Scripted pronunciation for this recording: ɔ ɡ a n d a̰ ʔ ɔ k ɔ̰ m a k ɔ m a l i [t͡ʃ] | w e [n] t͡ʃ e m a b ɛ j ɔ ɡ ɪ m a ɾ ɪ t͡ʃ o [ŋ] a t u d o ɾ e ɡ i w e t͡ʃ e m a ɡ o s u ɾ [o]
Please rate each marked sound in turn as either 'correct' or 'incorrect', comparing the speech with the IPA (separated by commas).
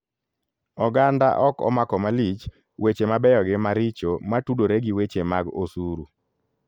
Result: correct, incorrect, incorrect, incorrect